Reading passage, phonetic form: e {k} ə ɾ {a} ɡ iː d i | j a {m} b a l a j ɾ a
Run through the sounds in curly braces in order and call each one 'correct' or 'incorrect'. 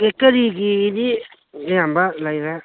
correct, incorrect, correct

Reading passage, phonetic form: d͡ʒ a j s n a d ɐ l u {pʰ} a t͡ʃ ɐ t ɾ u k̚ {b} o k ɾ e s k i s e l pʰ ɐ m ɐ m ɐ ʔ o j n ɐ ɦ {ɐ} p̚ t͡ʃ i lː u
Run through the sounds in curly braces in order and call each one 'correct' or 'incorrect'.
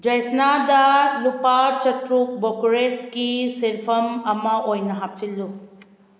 incorrect, correct, incorrect

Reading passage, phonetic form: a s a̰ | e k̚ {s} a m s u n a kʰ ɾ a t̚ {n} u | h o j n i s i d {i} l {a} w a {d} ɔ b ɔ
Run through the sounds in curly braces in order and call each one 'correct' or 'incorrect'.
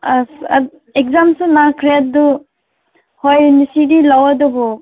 incorrect, incorrect, correct, correct, correct

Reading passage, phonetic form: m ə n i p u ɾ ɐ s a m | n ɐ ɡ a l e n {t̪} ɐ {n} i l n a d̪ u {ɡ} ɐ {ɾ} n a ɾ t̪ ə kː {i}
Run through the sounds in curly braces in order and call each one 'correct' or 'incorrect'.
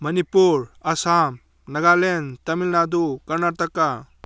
correct, incorrect, incorrect, correct, incorrect

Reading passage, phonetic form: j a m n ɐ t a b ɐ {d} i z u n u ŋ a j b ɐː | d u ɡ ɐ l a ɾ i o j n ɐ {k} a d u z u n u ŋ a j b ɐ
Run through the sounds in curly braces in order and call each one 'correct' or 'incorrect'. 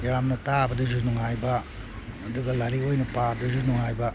correct, incorrect

